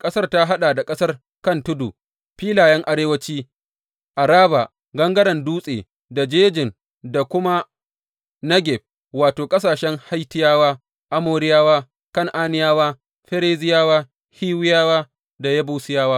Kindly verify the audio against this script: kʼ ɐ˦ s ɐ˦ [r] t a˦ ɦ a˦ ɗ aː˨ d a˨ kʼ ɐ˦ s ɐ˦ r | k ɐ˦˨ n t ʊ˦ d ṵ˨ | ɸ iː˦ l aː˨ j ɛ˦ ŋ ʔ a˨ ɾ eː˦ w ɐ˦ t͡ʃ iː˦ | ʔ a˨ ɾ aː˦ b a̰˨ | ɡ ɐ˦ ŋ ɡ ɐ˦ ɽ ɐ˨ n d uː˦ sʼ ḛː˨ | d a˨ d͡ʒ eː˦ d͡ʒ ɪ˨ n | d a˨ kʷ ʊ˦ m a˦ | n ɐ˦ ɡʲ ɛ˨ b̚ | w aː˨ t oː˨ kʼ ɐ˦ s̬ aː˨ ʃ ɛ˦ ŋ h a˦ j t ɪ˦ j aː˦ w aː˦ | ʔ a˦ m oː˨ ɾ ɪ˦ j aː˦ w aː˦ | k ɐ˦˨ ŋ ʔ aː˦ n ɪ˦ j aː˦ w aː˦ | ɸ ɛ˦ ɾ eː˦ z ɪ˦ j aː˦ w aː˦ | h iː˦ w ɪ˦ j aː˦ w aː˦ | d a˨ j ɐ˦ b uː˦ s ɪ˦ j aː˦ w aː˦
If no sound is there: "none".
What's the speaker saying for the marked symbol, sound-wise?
r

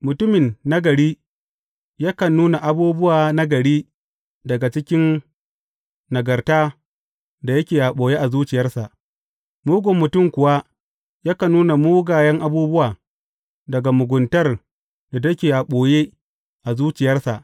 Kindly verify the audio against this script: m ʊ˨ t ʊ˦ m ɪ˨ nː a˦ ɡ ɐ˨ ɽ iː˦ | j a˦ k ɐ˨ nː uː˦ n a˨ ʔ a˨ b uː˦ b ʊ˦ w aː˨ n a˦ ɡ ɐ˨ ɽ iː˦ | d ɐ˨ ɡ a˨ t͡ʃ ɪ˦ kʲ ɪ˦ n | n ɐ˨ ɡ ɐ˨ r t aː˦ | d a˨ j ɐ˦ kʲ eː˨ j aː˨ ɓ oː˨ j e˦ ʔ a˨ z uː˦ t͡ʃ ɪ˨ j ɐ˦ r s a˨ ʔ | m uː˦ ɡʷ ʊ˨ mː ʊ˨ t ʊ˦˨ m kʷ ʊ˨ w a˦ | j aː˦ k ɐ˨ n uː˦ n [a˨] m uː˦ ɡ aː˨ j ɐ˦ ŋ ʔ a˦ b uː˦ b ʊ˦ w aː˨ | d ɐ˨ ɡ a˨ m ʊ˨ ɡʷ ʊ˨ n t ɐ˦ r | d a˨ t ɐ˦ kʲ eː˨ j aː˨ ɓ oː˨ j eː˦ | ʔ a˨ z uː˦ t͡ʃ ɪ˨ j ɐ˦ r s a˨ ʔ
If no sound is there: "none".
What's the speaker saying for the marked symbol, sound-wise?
a˨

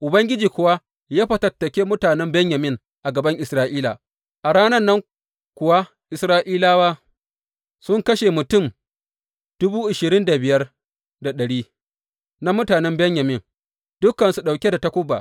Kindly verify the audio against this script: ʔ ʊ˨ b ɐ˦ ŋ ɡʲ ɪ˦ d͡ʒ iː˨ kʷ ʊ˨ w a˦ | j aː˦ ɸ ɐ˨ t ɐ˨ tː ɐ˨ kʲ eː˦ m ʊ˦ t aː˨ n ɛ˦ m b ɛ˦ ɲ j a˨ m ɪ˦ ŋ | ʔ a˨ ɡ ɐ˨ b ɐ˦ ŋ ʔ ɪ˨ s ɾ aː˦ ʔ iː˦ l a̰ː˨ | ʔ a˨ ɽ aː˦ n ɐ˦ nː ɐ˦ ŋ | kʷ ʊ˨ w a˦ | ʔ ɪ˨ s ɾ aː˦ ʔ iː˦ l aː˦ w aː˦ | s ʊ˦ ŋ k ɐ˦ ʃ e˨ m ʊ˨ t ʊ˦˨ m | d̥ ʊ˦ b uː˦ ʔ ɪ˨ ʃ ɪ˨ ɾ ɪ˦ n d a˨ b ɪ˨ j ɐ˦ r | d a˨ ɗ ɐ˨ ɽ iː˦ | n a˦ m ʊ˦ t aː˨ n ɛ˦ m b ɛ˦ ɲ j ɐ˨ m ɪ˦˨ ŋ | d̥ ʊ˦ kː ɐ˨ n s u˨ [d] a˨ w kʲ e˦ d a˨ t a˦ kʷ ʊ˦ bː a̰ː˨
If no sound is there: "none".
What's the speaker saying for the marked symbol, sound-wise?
ɗ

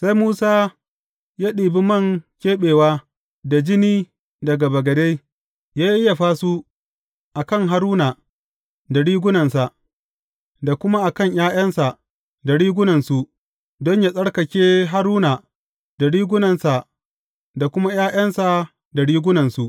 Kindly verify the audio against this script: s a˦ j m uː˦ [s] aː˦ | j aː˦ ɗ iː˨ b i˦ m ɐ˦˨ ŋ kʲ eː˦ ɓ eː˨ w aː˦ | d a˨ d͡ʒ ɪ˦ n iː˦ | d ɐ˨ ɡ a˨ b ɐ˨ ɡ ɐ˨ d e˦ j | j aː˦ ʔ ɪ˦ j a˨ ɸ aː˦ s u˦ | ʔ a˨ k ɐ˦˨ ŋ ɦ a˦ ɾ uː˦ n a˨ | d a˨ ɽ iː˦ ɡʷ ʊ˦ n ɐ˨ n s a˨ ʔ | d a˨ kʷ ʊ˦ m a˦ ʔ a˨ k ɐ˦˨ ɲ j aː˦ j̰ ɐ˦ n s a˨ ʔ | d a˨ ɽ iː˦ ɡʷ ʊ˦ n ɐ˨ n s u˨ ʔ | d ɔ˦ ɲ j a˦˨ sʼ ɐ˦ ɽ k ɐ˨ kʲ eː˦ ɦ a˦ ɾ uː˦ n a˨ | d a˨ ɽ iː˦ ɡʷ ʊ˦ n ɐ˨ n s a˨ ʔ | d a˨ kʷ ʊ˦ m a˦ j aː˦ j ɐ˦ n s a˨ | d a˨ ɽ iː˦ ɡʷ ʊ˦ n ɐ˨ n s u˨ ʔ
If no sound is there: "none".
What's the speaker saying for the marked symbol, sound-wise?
s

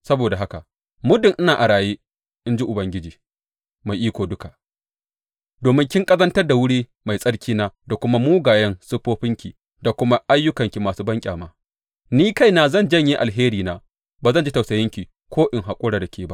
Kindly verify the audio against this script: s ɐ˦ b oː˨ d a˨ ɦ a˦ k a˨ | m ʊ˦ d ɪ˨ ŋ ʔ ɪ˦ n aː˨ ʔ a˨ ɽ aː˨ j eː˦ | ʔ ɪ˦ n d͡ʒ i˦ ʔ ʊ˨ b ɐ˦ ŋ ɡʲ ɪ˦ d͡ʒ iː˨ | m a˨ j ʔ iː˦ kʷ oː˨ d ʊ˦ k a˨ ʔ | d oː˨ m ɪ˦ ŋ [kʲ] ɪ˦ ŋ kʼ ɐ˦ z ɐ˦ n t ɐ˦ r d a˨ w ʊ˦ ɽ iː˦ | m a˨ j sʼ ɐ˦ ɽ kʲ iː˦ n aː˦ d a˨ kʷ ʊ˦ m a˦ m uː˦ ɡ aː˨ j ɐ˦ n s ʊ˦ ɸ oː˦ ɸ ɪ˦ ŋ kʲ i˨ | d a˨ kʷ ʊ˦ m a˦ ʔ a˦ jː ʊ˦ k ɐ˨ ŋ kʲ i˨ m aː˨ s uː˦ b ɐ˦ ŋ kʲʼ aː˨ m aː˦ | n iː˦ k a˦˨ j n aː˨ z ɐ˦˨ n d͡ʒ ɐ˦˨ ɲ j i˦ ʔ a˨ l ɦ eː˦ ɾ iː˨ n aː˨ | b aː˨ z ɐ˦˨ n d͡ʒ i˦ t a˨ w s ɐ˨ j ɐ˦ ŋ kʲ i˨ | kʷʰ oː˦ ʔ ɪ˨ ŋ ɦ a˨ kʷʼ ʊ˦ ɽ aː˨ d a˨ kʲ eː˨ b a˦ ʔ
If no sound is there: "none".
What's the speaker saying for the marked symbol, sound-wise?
kʲ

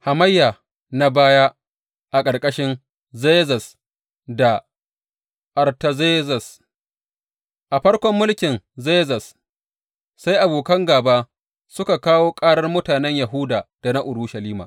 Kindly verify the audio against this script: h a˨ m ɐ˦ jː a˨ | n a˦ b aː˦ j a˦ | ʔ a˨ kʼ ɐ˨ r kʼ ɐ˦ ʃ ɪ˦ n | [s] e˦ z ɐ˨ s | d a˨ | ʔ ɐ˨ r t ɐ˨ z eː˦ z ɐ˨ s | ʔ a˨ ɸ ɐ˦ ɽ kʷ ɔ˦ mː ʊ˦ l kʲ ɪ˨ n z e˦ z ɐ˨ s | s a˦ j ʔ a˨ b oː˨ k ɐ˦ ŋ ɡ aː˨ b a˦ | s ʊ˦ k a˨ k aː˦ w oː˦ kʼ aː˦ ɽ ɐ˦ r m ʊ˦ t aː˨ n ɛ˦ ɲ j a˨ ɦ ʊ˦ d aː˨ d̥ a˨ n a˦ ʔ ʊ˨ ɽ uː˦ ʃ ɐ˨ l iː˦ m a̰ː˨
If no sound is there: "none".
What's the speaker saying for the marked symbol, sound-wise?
z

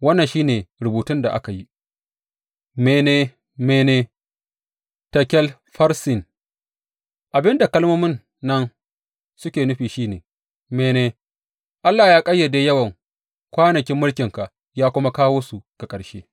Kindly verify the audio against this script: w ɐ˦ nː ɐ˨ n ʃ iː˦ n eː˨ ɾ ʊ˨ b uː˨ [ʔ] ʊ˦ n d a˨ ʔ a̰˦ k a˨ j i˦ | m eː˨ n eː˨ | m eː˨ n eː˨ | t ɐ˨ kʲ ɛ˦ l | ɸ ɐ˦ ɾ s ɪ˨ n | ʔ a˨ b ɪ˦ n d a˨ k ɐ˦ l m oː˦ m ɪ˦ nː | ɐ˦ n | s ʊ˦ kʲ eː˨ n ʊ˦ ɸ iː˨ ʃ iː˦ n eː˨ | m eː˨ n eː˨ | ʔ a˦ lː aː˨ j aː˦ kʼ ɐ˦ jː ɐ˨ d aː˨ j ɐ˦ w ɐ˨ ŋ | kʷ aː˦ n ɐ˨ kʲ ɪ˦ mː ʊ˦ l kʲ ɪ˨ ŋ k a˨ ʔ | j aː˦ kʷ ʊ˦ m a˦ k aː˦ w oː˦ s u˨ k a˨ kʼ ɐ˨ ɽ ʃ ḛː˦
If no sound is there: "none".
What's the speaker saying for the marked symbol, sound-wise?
t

